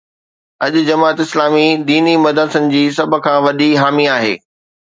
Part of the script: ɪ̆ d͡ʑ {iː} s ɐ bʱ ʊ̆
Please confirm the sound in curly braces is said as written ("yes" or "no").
yes